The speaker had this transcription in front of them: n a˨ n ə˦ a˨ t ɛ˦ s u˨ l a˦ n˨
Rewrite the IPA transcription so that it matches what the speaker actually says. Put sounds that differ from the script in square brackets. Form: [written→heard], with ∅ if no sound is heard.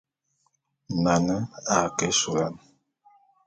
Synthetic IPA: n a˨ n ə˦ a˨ [t→k] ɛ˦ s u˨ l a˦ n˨

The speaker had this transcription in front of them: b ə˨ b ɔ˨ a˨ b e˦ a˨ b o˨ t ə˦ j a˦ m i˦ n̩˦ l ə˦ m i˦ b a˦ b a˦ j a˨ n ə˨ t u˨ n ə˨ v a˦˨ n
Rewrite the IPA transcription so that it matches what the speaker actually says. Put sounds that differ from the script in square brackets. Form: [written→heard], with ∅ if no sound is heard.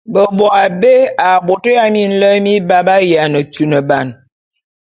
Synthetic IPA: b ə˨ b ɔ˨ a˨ b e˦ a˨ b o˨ t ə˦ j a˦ m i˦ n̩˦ l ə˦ m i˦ b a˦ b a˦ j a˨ n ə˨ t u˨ n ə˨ [v→b] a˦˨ n

